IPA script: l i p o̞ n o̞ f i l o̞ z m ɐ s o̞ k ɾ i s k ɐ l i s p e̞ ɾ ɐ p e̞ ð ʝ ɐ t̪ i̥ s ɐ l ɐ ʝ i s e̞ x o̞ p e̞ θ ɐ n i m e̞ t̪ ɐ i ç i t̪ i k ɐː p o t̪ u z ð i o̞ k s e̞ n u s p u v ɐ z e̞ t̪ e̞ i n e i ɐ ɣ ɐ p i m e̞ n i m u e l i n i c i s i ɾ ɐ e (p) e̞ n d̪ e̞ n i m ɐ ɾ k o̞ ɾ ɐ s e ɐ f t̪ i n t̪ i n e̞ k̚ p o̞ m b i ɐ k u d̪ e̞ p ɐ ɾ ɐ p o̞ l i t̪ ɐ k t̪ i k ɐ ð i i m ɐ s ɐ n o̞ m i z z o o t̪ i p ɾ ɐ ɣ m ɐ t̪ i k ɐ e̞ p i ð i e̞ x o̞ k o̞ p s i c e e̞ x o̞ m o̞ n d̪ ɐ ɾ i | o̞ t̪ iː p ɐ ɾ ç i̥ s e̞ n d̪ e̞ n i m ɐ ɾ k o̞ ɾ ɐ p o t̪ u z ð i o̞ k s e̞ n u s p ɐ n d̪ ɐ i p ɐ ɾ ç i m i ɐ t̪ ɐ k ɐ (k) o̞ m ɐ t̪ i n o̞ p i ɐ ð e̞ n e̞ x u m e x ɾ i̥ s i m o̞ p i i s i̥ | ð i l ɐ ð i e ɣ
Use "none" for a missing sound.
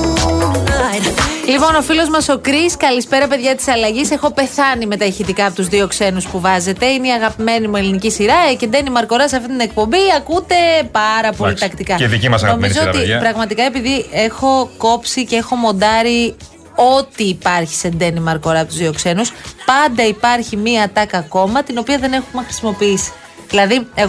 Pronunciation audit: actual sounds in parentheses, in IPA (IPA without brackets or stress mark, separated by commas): c, k